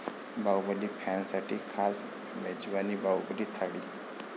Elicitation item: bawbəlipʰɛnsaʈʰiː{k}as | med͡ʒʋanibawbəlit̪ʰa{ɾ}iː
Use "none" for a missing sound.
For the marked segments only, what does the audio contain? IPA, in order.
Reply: kʰ, ɽ

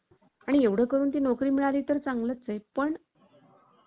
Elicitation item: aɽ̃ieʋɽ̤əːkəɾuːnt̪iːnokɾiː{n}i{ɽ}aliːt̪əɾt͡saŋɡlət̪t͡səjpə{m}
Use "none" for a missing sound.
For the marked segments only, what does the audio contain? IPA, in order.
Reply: m, ɭ, ɳ

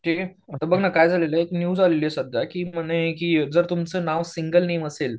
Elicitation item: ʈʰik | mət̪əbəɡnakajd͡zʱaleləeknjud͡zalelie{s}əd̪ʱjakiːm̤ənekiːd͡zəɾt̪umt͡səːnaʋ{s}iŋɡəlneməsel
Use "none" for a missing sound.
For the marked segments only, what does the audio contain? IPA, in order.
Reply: s, s

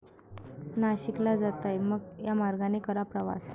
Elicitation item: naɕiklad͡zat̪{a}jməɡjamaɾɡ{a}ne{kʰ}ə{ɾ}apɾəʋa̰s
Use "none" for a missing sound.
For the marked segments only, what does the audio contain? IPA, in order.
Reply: a, a, k, ɾ

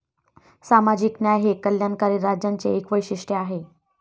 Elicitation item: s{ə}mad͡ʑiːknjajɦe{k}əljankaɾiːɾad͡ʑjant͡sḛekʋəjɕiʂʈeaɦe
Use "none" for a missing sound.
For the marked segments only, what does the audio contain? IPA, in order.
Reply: a, k

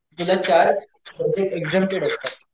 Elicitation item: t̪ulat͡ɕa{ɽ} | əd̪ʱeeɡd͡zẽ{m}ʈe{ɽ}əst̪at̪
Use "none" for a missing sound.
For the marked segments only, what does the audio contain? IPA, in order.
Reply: ɾ, m, ɽ

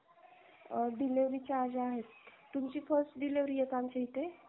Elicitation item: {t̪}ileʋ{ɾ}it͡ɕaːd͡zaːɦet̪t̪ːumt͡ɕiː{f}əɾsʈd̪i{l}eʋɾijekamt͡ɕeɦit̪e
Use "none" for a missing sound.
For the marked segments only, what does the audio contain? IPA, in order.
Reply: d̪, ɾ, f, l

